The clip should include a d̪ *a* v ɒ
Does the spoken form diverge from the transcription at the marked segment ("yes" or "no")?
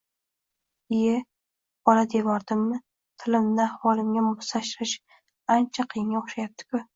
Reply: yes